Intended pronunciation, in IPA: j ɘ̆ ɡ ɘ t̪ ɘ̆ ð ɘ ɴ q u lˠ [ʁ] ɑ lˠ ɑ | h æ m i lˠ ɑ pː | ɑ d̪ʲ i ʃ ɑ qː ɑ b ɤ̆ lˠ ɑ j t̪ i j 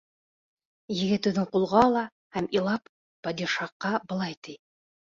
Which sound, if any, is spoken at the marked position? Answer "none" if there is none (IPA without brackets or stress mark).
ʁ